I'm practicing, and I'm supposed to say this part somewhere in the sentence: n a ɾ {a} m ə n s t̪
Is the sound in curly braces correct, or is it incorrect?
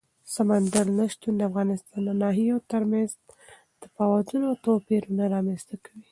incorrect